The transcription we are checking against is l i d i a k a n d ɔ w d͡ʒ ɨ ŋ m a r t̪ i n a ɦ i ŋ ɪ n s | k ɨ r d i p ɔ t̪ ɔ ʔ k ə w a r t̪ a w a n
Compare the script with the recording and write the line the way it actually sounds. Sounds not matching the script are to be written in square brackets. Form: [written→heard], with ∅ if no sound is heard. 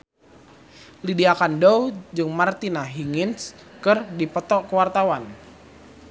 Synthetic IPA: l i d i a k a n d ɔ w d͡ʒ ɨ ŋ m a r t̪ i n a ɦ i ŋ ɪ n s | k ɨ r d i p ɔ t̪ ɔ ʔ k ə w a r t̪ a w a n